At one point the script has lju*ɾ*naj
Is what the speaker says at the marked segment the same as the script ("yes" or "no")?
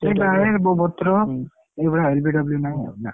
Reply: no